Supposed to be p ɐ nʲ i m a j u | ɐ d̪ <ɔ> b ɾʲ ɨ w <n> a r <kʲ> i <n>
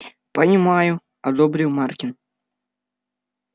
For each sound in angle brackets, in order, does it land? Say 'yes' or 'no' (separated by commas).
yes, no, yes, yes